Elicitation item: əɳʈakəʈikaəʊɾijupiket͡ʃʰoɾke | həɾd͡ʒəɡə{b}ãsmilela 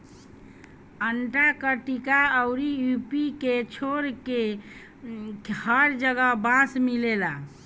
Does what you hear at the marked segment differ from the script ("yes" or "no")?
no